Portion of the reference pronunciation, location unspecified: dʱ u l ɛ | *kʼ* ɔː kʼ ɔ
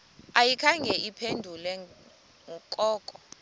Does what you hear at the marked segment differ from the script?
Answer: no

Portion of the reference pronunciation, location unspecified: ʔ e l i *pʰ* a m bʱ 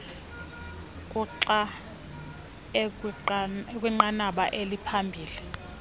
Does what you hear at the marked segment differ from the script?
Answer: no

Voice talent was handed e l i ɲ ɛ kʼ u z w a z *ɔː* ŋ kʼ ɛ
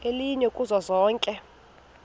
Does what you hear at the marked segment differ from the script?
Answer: no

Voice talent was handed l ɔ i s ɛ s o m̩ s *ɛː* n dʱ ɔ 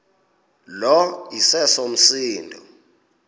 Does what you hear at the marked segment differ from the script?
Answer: yes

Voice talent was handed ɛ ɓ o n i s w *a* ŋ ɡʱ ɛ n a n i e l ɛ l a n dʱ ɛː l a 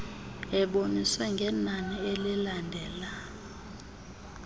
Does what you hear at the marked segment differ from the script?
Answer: yes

